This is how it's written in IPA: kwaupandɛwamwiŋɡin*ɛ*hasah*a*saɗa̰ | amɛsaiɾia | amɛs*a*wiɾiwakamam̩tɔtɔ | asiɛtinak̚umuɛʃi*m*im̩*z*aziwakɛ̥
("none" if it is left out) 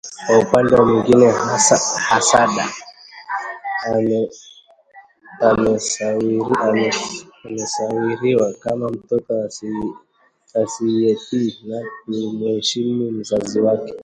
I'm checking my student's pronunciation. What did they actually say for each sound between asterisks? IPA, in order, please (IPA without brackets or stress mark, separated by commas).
ɛ, a, a, m, z